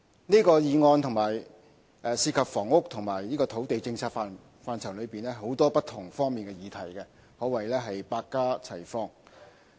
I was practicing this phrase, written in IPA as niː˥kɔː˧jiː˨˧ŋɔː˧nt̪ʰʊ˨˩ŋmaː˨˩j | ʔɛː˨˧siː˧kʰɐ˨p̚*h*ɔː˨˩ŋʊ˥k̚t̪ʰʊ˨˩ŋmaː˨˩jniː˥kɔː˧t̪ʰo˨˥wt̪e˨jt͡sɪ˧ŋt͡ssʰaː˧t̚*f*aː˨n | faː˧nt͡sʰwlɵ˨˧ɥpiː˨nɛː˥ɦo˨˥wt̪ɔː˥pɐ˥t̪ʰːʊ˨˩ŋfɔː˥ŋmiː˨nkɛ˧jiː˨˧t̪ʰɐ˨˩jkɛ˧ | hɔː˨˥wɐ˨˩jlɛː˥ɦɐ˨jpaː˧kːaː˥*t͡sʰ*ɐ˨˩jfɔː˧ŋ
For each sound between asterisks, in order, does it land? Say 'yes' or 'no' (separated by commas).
no, yes, yes